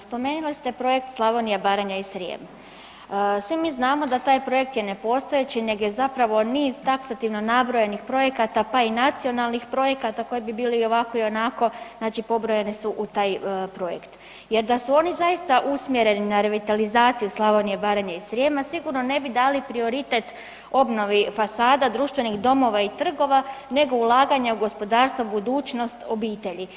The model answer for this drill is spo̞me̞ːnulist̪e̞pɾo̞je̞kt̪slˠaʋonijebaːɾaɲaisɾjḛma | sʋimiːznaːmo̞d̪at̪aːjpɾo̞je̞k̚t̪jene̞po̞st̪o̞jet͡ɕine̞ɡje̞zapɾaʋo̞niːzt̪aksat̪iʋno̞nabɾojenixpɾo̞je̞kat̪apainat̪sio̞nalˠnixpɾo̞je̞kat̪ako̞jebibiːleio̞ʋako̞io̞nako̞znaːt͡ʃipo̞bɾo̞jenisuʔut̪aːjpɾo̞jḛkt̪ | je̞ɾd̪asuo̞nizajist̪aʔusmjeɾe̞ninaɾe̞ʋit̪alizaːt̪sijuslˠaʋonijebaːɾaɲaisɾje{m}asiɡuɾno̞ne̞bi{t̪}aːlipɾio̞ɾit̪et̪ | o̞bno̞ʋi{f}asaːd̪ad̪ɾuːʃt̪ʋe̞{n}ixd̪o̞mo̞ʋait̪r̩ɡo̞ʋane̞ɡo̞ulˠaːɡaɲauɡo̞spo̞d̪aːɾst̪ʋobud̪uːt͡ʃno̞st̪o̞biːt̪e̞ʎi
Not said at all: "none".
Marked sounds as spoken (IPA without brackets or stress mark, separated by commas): m, d̪, f, n